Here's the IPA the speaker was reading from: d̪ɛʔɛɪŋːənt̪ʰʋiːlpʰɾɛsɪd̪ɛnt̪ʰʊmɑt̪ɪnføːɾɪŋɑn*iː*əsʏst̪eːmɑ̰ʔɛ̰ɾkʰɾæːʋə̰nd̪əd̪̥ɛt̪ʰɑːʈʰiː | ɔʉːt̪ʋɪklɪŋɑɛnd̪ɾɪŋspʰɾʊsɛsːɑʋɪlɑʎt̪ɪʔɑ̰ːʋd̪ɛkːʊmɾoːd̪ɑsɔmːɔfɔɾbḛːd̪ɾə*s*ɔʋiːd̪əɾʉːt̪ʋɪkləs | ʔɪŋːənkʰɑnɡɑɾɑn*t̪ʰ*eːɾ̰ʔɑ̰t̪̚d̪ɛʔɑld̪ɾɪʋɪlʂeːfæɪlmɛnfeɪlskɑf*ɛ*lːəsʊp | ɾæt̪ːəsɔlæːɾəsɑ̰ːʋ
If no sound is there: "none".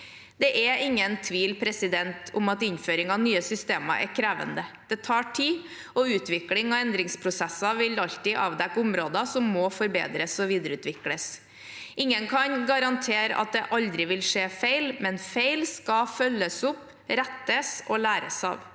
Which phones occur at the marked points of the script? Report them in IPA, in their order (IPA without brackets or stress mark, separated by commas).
yː, s, t̪ʰ, œ